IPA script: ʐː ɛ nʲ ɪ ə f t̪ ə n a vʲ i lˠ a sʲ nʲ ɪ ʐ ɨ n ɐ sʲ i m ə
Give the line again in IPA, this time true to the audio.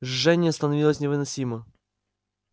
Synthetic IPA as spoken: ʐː ɛ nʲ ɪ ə s t̪ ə n ɐ vʲ i lˠ ə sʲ nʲ ɪ v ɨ n ɐ sʲ i m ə